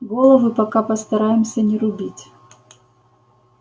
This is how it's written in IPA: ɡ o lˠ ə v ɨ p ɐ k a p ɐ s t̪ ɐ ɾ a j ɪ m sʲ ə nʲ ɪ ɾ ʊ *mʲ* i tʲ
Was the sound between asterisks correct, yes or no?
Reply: no